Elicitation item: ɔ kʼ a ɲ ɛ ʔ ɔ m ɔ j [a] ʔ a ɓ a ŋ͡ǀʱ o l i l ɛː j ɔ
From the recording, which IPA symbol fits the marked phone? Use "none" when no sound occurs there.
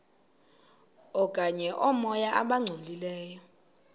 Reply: a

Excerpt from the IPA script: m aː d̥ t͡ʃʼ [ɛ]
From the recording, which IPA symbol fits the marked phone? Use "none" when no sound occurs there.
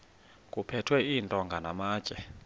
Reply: ɛ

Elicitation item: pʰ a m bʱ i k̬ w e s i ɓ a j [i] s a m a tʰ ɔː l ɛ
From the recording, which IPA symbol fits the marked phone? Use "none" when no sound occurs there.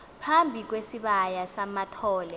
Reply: a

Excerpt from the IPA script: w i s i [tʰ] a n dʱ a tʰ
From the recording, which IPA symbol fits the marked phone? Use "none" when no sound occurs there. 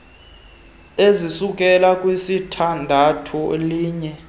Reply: tʰ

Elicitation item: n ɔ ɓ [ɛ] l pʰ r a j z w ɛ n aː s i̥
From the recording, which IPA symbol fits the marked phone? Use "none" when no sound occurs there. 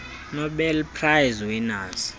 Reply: ɛ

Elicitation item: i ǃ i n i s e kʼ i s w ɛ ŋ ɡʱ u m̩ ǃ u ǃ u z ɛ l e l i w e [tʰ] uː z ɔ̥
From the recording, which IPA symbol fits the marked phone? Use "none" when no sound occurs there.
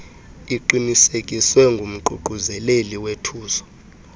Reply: tʰ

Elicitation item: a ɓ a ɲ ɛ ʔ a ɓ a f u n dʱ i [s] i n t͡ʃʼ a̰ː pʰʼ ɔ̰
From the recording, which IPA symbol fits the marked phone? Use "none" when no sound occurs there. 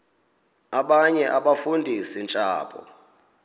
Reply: s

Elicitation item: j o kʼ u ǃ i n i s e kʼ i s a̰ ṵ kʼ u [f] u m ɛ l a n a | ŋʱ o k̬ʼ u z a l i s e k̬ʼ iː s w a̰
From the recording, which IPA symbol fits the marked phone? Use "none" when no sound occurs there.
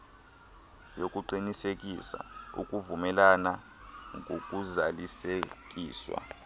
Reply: v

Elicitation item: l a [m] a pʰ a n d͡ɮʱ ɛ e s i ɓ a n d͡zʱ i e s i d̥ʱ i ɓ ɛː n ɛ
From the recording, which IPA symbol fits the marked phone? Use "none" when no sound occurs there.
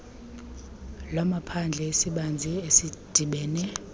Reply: m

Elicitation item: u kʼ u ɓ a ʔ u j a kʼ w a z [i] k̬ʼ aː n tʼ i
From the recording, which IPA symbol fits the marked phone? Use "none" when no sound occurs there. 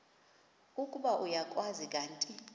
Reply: i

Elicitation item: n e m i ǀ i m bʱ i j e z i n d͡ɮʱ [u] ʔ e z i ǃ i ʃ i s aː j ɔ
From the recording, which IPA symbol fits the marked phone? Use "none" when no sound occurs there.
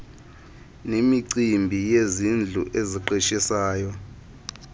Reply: u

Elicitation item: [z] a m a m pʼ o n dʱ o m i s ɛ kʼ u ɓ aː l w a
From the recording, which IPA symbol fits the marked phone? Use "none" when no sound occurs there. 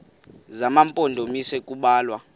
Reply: z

